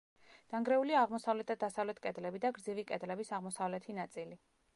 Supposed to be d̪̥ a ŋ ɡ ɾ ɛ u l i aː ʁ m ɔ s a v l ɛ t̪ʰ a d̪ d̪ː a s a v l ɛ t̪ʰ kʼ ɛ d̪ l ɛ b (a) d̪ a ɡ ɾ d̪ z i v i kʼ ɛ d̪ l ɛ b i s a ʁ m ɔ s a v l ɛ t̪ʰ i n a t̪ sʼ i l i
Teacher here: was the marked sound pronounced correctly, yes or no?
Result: no